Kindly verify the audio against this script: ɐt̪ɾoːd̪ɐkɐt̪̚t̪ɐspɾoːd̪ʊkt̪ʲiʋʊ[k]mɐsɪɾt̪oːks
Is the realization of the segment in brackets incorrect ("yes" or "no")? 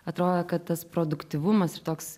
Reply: yes